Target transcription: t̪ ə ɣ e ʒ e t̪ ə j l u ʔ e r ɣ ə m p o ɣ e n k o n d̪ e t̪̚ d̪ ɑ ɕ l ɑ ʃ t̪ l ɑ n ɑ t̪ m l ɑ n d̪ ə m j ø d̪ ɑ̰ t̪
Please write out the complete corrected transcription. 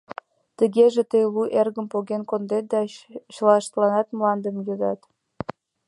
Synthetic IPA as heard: t̪ ə ɣ e ʒ e t̪ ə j l u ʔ e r ɣ ə m p o ɣ e n k o n d̪ e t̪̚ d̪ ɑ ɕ l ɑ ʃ t̪ l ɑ n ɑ t̪ m l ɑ n d̪ ə m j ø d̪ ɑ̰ t̪